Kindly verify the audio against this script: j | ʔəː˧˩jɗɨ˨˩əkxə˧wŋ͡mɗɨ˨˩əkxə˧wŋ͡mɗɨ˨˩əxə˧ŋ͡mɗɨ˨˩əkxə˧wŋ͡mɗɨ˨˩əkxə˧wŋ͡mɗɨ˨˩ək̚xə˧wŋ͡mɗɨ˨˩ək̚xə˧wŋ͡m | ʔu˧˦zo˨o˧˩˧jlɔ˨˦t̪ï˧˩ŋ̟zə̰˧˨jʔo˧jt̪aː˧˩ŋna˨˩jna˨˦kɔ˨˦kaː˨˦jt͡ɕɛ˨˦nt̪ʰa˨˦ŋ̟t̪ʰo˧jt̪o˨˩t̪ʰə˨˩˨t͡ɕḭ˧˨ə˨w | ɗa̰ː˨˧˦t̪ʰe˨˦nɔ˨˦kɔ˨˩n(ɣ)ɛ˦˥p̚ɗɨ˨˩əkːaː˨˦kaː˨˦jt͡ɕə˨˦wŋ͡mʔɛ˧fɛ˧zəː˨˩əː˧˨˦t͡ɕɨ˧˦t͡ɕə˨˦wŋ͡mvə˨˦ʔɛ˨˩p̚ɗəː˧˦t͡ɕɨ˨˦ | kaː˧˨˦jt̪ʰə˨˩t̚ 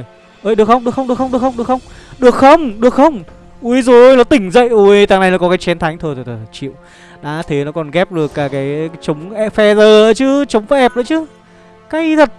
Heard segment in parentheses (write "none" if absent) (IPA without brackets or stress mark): ɣ